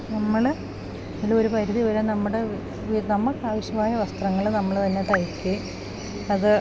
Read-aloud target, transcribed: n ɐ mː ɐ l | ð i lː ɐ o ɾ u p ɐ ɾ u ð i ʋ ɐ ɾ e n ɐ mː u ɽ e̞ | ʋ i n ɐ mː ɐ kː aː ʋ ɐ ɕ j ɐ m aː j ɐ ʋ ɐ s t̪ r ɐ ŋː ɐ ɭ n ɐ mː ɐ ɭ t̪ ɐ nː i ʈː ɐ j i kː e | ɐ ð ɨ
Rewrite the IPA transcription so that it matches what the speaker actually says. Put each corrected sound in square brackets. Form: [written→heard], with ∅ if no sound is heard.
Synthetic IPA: n ɐ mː ɐ [l→ɭ] | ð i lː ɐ o ɾ u p ɐ ɾ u ð i ʋ ɐ ɾ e n ɐ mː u ɽ e̞ | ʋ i n ɐ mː ɐ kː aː ʋ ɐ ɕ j ɐ m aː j ɐ ʋ ɐ s t̪ r ɐ ŋː ɐ ɭ n ɐ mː ɐ ɭ t̪ ɐ nː [i→e] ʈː ɐ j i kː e | ɐ ð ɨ